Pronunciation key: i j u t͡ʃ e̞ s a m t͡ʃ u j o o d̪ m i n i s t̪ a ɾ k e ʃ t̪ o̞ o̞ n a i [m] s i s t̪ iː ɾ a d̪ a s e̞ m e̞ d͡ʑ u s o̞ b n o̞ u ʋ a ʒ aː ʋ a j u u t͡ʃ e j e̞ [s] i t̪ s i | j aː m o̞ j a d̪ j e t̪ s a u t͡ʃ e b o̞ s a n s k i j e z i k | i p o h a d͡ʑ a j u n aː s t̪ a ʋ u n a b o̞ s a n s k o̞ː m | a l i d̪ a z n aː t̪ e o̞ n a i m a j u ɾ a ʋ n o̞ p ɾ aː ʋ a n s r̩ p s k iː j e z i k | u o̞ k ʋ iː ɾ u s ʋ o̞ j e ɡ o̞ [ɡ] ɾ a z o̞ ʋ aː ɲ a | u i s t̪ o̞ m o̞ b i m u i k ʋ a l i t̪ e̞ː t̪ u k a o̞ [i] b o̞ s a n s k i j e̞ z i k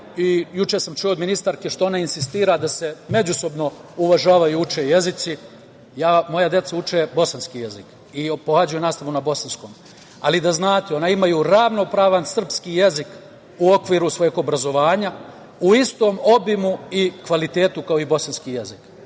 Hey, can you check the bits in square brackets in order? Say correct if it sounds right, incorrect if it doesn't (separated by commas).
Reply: incorrect, incorrect, incorrect, correct